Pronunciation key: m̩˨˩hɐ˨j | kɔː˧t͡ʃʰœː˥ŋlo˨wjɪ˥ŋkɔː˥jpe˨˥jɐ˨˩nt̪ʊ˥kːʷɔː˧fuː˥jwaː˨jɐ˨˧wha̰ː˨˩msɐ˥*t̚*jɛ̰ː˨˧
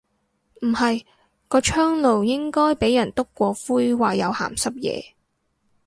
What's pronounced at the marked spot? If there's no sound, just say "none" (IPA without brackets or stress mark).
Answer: p̚